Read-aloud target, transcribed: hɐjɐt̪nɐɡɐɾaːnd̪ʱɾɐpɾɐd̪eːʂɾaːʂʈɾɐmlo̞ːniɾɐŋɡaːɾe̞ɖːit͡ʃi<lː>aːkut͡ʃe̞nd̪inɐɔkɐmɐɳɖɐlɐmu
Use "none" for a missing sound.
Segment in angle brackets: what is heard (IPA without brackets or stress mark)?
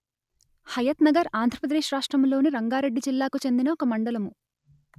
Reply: lː